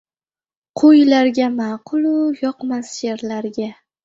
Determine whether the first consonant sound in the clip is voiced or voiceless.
voiceless